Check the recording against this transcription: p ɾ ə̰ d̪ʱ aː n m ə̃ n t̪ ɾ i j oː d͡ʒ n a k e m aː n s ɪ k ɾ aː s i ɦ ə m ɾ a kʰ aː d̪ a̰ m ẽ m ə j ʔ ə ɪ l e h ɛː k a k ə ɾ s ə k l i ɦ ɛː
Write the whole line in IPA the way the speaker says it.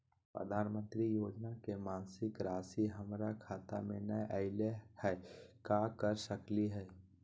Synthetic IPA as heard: p ɾ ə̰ d̪ʱ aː n m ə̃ n t̪ ɾ i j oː d͡ʒ n a k e m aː n s ɪ k ɾ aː s i ɦ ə m ɾ a kʰ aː t̪ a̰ m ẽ n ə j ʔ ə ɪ l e h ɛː k a k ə ɾ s ə k l i ɦ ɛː